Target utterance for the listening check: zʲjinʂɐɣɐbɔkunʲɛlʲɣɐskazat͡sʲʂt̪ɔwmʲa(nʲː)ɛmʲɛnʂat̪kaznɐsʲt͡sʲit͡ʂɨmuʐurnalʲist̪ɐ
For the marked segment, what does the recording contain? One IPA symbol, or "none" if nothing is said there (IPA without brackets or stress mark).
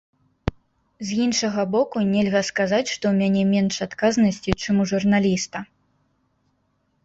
nʲ